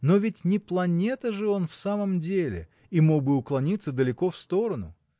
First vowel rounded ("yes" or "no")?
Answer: yes